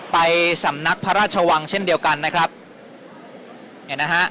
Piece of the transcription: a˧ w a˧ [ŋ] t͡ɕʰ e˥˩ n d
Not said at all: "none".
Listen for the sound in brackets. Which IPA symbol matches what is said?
ŋ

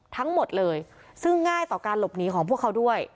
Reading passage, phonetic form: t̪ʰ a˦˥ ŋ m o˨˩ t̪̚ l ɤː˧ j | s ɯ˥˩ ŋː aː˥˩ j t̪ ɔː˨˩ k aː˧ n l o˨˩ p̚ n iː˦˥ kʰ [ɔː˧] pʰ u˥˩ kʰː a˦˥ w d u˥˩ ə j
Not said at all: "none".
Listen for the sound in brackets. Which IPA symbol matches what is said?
ɔː˩˦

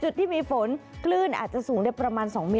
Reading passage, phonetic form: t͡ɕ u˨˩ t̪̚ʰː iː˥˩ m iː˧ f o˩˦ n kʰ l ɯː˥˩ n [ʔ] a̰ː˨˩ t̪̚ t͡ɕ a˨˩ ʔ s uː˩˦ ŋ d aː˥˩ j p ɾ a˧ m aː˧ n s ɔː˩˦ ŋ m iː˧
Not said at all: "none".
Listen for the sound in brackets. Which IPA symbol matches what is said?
ʔ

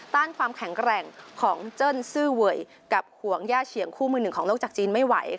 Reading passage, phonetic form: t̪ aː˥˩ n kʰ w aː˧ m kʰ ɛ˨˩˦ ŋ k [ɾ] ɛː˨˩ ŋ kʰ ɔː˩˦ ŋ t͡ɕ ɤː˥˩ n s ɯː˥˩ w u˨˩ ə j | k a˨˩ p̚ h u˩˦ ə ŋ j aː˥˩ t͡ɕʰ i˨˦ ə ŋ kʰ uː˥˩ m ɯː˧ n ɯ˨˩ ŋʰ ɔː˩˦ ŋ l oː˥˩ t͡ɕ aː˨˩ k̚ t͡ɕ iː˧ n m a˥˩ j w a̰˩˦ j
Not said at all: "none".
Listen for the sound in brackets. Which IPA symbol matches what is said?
ɾ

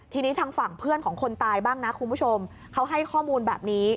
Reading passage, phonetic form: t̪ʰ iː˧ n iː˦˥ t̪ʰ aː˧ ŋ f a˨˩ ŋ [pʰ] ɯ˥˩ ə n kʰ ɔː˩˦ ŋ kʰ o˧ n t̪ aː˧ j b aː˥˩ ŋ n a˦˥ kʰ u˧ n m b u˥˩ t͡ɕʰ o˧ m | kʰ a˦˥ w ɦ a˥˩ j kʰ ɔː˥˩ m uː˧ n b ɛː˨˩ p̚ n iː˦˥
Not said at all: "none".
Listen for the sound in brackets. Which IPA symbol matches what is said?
pʰ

